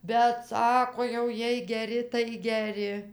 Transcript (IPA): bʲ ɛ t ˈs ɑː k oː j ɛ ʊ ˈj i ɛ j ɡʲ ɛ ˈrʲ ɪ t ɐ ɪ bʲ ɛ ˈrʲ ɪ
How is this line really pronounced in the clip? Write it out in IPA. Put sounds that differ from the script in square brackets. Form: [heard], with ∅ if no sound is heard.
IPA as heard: bʲ ɛ t ˈs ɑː k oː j ɛ ʊ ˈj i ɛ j ɡʲ ɛ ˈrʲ ɪ t ɐ ɪ [ɡʲ] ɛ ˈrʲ ɪ